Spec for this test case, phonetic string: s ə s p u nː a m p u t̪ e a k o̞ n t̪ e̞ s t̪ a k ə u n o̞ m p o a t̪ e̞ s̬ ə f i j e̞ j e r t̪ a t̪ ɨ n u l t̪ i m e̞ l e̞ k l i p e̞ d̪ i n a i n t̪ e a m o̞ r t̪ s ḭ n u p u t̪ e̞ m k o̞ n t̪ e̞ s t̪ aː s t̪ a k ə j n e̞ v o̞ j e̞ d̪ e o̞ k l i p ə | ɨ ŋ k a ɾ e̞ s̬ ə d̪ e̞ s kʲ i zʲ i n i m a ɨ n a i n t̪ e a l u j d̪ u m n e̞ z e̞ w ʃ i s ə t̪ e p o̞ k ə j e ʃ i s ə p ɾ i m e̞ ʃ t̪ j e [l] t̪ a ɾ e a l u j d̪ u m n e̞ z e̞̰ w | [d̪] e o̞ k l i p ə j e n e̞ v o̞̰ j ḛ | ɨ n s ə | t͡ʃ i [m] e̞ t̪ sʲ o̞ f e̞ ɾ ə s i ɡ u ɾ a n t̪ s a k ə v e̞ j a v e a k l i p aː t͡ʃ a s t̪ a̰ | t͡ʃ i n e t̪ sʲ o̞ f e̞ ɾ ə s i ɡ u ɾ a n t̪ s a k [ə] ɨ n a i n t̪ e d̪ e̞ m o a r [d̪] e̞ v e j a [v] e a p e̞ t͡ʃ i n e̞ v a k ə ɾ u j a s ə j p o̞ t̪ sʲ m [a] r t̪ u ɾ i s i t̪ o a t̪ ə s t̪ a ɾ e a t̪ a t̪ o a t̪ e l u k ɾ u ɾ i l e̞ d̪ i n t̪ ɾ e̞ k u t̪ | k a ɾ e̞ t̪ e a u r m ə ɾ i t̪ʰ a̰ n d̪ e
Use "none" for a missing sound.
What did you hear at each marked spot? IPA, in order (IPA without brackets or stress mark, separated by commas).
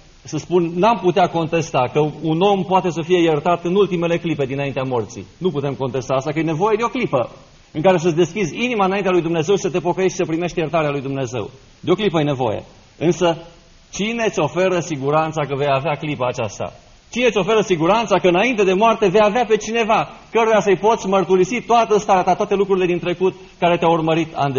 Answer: r, d̪, n, ə, t̪, v, ə